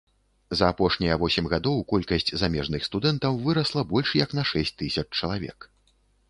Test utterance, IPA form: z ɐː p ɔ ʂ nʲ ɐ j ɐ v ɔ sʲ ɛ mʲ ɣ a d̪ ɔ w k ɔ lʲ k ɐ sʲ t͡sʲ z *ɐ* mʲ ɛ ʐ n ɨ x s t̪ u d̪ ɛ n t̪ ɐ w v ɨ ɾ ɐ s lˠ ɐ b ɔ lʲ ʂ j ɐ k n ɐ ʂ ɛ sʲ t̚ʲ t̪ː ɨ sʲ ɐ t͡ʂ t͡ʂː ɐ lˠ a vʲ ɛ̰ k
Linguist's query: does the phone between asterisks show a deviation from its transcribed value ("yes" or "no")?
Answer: yes